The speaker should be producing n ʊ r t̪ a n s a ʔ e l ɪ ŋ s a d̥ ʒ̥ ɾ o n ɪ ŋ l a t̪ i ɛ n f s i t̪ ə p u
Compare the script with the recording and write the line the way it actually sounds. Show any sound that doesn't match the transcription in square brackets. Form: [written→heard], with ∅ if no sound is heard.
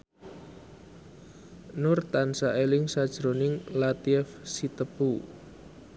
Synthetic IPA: n ʊ r t̪ a n s a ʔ e l ɪ ŋ s a d̥ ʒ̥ ɾ o n ɪ ŋ l a t̪ i ɛ [n→∅] f s i t̪ ə p u